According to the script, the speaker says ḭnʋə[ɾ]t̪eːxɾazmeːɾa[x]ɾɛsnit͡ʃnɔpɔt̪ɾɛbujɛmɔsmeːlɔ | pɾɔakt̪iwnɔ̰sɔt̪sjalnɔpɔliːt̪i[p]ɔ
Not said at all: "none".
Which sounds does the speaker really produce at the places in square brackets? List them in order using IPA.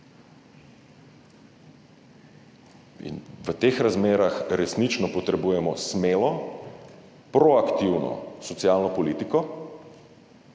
none, x, k

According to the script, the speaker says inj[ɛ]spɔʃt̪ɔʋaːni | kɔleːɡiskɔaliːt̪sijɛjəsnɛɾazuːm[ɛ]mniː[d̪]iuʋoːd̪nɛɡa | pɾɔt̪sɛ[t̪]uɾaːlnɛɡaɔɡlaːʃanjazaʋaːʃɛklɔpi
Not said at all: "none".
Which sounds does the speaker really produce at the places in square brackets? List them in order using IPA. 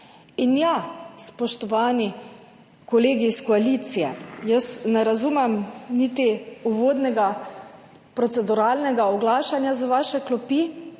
a, ɛ, t̪, d̪

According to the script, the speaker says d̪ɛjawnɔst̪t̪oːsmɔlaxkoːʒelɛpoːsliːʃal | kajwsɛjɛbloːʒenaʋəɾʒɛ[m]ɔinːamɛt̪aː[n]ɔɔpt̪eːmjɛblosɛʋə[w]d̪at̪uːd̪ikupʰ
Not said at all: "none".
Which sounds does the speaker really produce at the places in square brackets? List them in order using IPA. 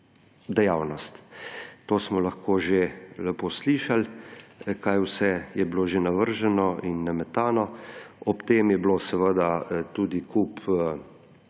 n, n, none

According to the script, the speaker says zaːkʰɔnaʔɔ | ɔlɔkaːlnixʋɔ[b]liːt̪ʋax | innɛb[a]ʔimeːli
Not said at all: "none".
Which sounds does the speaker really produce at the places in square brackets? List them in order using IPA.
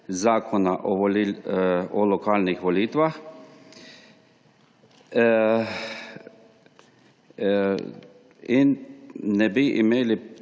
none, i

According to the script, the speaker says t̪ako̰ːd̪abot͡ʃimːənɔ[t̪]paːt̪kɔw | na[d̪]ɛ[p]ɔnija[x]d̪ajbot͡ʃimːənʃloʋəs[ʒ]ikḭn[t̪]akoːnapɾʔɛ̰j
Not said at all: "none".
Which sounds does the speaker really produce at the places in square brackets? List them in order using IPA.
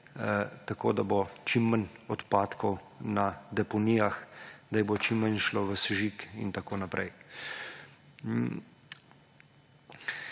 t̪, d̪, p, x, ʒ, t̪

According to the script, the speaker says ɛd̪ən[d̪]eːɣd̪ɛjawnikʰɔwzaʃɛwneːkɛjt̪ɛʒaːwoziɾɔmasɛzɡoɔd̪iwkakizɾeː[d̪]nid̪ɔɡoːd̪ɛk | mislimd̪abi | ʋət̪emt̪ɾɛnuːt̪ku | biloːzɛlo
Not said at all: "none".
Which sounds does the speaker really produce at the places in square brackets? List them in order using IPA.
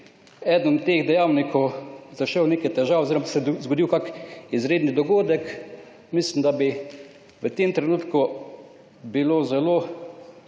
t̪, d̪

